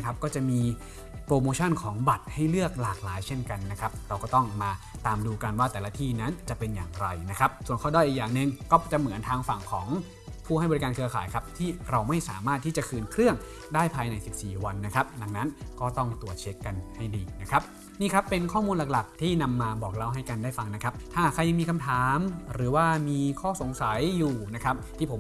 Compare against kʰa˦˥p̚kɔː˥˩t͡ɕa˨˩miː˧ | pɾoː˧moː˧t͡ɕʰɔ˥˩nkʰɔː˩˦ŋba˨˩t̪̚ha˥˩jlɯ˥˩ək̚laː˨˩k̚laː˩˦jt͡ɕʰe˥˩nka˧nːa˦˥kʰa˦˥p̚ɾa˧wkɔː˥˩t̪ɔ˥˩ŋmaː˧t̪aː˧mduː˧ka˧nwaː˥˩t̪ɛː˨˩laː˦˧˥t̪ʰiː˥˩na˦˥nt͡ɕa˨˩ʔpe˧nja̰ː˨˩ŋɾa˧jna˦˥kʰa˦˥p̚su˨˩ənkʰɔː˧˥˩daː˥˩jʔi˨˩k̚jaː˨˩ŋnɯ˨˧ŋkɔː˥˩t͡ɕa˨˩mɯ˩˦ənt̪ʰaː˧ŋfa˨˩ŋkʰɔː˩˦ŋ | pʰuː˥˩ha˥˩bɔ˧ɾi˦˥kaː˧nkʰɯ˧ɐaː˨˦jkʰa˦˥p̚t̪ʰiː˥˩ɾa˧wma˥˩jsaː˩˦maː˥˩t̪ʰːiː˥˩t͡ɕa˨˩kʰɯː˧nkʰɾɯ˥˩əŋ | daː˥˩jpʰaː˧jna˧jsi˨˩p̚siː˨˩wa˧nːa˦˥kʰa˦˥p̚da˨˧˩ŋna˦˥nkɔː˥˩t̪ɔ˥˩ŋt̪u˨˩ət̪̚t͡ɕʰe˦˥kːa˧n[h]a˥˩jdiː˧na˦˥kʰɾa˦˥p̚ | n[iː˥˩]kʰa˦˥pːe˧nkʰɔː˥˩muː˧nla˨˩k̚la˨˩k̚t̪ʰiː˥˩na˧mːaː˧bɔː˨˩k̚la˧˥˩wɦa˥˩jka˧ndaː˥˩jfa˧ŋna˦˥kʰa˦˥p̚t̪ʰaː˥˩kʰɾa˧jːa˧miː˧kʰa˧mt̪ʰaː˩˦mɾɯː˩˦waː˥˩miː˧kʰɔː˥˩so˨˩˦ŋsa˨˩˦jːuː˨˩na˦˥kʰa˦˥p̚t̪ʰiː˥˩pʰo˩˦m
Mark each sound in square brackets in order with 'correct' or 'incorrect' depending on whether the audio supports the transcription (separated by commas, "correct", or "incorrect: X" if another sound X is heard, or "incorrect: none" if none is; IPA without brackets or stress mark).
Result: correct, correct